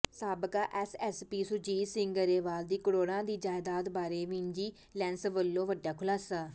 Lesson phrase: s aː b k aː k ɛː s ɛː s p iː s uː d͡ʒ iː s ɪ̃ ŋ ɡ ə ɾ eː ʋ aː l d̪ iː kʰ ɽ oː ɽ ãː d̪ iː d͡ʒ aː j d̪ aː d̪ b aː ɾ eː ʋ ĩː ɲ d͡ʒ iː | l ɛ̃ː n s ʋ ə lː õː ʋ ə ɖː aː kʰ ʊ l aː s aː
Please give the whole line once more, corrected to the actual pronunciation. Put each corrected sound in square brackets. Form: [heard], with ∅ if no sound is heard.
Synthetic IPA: s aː b k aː [ʔ] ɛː s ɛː s p iː s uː d͡ʒ iː s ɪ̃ ŋ ɡ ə ɾ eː ʋ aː l d̪ iː [k] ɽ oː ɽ ãː d̪ iː d͡ʒ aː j d̪ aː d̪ b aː ɾ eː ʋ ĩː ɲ d͡ʒ iː | l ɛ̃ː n s ʋ ə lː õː ʋ ə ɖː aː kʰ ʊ l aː s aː